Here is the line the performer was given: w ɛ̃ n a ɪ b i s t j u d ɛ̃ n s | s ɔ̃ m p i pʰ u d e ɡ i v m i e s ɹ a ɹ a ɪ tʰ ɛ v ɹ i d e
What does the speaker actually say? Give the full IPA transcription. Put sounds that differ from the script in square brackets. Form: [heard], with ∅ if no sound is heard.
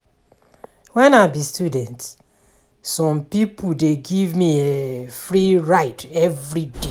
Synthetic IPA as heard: w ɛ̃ n a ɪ b i s t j u d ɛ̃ n [t] | s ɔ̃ m p i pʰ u d e ɡ i v m i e [f] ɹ [i] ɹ a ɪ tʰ ɛ v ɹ i d e